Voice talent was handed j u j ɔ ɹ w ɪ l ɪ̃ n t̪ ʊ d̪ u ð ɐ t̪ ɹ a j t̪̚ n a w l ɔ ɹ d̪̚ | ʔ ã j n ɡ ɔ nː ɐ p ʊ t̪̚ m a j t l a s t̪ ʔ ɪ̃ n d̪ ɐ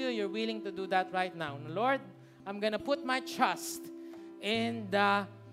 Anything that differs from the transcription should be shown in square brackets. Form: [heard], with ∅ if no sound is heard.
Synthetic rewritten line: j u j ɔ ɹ w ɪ l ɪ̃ [ŋ] t̪ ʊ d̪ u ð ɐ t̪ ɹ a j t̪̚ n a w l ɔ ɹ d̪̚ | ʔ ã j [m] ɡ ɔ [n] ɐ p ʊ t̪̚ m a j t [ɹ] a s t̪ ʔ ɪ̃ n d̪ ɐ